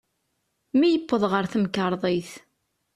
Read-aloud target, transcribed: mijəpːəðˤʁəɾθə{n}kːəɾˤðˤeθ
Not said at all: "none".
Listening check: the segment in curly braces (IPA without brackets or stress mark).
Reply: m